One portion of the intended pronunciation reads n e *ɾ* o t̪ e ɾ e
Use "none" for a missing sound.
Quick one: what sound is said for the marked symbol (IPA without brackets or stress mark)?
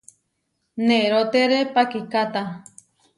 ɾ